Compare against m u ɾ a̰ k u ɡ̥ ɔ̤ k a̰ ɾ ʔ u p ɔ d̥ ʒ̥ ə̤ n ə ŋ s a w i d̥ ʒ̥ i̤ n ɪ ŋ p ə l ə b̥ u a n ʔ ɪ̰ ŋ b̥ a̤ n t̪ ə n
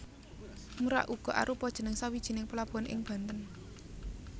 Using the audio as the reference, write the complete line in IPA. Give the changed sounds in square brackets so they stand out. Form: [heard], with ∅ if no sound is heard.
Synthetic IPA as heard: m u ɾ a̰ [ʔ] u ɡ̥ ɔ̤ [ʔ] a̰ ɾ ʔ u p ɔ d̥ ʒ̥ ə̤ n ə ŋ s a w i d̥ ʒ̥ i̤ n ɪ ŋ p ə l [a] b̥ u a n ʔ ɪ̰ ŋ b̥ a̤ n t̪ ə n